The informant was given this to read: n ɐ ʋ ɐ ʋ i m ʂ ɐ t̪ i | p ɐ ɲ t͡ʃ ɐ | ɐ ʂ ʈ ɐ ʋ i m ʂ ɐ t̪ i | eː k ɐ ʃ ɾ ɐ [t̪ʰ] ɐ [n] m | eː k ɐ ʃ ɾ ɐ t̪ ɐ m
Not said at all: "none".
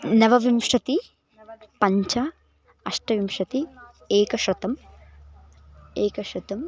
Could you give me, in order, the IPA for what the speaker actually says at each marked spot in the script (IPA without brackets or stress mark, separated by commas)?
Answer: t̪, none